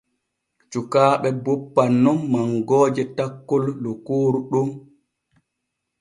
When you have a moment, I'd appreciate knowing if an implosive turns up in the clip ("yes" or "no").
yes